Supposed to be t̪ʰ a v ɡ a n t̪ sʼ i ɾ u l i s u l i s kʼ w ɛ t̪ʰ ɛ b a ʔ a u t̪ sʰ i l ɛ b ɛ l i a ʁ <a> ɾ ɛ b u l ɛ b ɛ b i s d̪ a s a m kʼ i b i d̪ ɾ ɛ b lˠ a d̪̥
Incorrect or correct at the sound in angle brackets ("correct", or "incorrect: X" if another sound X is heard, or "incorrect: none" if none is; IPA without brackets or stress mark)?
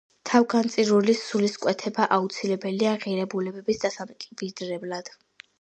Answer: incorrect: i